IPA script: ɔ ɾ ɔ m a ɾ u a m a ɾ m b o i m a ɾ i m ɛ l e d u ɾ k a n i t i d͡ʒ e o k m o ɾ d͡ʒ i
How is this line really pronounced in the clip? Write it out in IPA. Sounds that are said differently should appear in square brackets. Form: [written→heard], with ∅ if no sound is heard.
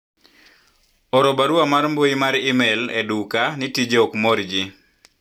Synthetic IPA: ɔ ɾ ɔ [m→b] a ɾ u a m a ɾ m b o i m a ɾ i m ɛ l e d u [ɾ→∅] k a n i t i d͡ʒ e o k m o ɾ d͡ʒ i

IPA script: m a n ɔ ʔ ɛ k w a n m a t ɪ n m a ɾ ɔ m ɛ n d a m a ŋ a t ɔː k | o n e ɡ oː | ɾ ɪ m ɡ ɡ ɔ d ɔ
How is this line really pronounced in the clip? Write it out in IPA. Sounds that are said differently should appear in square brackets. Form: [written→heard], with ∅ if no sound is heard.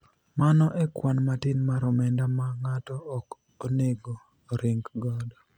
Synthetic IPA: m a n ɔ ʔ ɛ k w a n m a t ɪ n m a ɾ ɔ m ɛ n d a m a ŋ a t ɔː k | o n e ɡ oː | ɾ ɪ [m→ŋ] ɡ ɡ ɔ d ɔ

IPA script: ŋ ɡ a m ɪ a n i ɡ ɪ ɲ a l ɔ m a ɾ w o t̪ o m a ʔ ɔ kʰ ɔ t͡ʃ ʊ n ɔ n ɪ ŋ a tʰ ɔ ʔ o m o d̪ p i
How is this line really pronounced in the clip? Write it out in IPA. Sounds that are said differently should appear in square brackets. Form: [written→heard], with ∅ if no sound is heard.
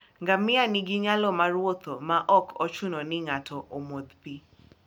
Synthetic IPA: ŋ ɡ a m ɪ a n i ɡ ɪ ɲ a l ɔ m a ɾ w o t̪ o m a ʔ ɔ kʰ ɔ t͡ʃ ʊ n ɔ n ɪ ŋ a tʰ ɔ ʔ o m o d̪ p i

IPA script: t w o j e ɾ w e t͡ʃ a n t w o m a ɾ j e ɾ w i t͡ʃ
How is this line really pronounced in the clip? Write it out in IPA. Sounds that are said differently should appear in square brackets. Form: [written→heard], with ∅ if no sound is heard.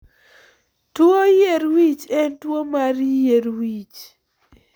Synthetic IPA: t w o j e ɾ w [e→i] t͡ʃ [a→ɛ] n t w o m a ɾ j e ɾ w i t͡ʃ

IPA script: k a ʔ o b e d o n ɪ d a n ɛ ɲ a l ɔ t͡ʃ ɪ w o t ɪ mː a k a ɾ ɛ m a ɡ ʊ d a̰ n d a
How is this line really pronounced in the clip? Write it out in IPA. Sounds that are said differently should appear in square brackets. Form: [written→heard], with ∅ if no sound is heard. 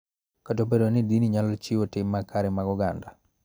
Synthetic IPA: k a [ʔ→t] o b e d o n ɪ d [a→i] n [ɛ→i] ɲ a l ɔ t͡ʃ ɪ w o t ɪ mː a k a ɾ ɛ m a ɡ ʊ [d→ɡ] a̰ n d a

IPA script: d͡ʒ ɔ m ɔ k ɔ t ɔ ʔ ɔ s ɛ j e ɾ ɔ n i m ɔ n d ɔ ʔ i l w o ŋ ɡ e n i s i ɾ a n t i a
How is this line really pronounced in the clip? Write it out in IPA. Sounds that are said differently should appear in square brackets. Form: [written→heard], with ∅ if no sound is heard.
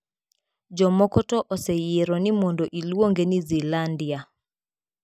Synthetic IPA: d͡ʒ ɔ m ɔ k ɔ t ɔ ʔ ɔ s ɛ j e ɾ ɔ n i m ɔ n d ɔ ʔ i l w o ŋ ɡ e n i [s→z] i [ɾ→l] a n [t→d] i a

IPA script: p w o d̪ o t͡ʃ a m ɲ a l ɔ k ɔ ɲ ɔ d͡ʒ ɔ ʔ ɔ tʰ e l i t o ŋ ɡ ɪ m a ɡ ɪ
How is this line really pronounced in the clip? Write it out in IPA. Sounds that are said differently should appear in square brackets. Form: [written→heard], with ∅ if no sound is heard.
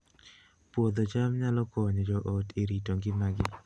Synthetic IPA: p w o d̪ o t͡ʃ a m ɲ a l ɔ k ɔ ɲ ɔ d͡ʒ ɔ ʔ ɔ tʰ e [l→ɾ] i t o ŋ ɡ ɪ m a ɡ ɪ

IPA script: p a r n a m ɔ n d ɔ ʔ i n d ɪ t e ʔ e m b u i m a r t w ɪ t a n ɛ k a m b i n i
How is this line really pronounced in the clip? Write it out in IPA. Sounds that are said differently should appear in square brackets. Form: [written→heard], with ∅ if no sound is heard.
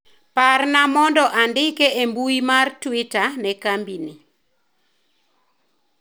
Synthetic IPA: p a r n a m ɔ n d ɔ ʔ [i→a] n d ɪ [t→k] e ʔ e m b u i m a r t w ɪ t a n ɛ k a m b i n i

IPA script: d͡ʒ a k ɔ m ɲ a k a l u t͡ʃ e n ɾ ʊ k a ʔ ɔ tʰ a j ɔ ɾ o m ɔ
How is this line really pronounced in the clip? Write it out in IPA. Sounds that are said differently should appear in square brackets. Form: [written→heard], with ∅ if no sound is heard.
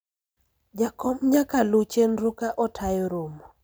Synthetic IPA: d͡ʒ a k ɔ m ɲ a k a l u t͡ʃ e n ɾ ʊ k a ʔ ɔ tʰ a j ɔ ɾ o m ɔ

